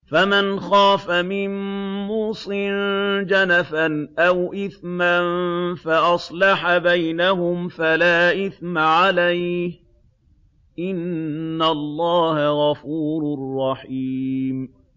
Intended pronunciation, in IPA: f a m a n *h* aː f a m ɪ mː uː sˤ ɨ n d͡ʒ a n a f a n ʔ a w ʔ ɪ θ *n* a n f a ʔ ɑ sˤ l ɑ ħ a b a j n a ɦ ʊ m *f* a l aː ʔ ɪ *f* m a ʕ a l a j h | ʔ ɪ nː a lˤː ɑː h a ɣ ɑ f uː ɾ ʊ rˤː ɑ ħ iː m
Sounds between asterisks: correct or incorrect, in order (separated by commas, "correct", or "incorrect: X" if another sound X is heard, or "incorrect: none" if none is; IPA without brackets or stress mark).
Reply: incorrect: x, incorrect: m, correct, incorrect: θ